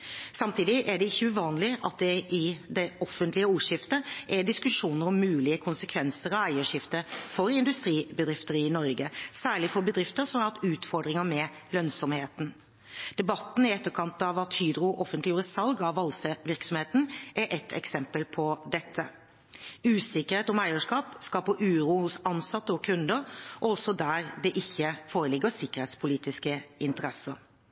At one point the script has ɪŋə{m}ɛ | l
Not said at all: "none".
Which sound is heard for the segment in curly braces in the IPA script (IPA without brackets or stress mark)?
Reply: m